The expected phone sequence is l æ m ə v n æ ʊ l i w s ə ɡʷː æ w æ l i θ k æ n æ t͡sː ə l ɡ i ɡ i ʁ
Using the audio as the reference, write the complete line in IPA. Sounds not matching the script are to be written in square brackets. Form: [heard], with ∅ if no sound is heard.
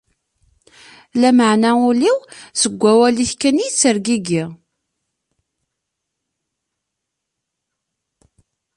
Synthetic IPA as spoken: l æ m ə [ʕ] n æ ʊ l i w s ə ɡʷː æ w æ l i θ k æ n [i] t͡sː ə [ɾ] ɡ i ɡ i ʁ